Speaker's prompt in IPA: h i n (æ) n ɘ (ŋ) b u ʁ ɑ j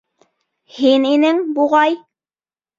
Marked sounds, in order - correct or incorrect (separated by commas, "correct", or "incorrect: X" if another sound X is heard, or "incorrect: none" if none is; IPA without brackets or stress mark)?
incorrect: i, correct